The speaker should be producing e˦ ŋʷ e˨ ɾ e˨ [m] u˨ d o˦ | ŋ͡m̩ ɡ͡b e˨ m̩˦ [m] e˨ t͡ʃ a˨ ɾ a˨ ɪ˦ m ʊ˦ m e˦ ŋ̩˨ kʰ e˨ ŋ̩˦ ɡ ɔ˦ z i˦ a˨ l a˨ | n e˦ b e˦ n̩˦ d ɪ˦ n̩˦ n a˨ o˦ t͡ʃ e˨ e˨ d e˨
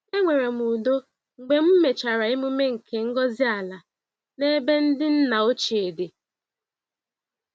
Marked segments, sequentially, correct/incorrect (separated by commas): correct, correct